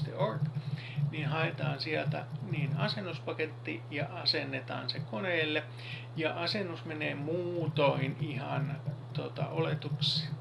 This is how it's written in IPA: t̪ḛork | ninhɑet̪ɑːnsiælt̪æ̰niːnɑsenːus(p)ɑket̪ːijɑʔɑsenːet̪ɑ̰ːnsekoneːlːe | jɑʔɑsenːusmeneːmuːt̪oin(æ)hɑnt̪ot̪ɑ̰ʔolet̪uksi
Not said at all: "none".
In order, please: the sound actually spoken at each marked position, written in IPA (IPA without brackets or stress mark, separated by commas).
p, i